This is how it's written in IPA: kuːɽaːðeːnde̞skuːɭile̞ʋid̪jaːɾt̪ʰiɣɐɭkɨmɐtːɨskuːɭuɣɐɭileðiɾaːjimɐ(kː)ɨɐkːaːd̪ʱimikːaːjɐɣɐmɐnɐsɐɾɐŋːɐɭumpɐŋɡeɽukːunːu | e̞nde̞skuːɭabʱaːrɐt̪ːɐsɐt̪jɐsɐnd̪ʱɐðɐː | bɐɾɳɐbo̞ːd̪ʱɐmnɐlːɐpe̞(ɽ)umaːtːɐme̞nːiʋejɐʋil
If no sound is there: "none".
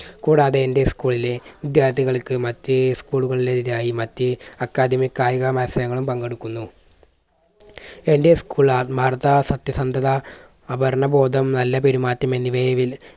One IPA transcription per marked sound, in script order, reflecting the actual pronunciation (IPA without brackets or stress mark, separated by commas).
tː, ɾ